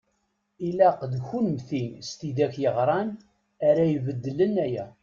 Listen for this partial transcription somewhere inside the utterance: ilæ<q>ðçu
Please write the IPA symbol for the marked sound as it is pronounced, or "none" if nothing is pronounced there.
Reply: q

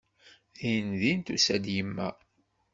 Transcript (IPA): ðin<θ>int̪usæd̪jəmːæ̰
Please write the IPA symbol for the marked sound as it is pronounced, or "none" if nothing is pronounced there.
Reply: ð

